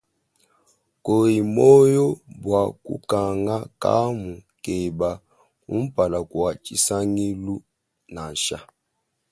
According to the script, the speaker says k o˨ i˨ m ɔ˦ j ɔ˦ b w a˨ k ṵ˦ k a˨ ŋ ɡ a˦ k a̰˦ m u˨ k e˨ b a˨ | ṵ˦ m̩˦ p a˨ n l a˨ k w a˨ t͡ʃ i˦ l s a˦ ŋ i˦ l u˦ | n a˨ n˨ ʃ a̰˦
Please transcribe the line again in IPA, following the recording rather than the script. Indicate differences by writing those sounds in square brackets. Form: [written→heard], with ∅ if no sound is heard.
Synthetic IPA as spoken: k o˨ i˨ m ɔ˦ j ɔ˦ b w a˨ k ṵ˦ k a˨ ŋ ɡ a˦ k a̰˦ m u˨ k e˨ b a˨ | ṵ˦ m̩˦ p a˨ [n→∅] l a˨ k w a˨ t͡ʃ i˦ [l→∅] s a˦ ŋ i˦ l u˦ | n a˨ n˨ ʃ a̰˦